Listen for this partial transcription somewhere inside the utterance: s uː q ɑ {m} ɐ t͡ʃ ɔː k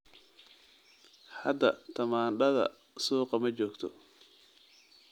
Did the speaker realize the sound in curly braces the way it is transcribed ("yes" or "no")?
yes